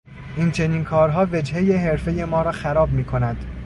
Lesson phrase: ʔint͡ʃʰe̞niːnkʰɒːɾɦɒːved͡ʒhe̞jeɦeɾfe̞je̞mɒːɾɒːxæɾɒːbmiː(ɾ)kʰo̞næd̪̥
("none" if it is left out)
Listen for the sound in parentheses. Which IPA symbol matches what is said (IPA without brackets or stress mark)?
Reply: none